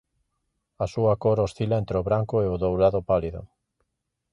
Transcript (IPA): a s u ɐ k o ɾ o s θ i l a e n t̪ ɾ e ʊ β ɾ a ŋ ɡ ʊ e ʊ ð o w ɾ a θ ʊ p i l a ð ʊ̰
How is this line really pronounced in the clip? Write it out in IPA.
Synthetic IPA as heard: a s u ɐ k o ɾ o s θ i l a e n t̪ ɾ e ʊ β ɾ a ŋ k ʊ e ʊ ð o w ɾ a ð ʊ p a l i ð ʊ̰

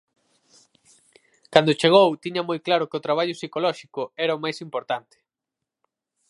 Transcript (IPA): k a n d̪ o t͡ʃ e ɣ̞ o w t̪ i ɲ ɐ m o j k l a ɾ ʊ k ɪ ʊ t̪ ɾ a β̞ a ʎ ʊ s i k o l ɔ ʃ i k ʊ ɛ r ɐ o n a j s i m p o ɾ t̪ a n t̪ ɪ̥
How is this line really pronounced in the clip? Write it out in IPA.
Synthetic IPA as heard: k a n d̪ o t͡ʃ e ɣ̞ o w t̪ i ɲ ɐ m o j k l a ɾ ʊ k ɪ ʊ t̪ ɾ a β̞ a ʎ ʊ s i k o l ɔ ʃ i k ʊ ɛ ɾ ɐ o m a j s i m p o ɾ t̪ a n t̪ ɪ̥

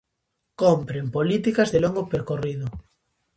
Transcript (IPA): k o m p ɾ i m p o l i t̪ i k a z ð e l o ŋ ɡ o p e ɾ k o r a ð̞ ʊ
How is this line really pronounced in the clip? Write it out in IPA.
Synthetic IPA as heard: k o m p ɾ e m p o l i t̪ i k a z ð e l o ŋ ɡ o p e ɾ k o r i ð̞ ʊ

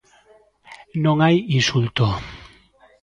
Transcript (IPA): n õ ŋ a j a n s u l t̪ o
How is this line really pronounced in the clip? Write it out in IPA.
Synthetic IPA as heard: n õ ŋ a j i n s u l t̪ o

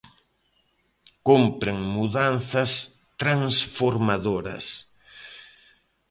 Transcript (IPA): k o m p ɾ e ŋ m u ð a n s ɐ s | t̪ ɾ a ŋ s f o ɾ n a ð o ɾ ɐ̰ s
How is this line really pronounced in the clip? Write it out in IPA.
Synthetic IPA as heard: k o m p ɾ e ŋ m u ð a n θ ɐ s | t̪ ɾ a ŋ s f o ɾ m a ð o ɾ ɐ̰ s

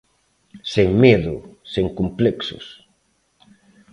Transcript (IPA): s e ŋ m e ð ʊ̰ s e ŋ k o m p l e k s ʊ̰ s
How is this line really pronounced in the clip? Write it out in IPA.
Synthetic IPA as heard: s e ŋ m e ð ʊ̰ s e ŋ k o m p l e k s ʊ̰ s

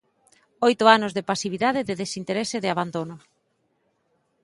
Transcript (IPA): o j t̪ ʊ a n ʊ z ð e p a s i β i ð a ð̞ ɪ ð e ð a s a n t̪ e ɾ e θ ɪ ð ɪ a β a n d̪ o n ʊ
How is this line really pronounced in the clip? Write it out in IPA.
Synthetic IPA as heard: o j t̪ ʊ a n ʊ z ð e p a s i β i ð a ð̞ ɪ ð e ð e s i n t̪ e ɾ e s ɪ ð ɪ a β a n d̪ o n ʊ

